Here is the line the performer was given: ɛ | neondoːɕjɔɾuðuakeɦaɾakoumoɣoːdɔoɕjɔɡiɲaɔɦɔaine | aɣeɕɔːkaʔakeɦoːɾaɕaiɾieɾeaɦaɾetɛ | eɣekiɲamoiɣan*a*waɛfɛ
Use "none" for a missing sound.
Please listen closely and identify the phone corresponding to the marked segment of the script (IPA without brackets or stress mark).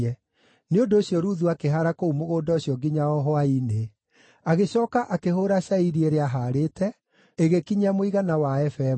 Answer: a